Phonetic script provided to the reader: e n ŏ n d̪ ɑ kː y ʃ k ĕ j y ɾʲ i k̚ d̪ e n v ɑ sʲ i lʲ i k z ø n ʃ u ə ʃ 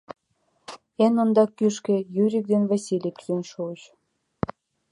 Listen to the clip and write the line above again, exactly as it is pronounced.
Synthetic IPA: e n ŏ n d̪ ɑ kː y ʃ k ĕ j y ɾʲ i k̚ d̪ e n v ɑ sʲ i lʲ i k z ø n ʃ u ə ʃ